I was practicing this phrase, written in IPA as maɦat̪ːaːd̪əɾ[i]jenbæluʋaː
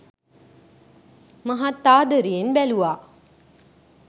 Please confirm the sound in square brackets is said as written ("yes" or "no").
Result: yes